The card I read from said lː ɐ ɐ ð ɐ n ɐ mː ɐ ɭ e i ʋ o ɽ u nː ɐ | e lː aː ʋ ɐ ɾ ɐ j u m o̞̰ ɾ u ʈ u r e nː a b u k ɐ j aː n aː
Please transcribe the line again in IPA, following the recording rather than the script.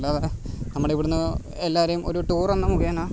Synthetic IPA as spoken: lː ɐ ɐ ð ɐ n ɐ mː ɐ ɽ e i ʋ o ɽ u nː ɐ | e lː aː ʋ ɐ ɾ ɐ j u m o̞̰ ɾ u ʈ uː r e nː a m u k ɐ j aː n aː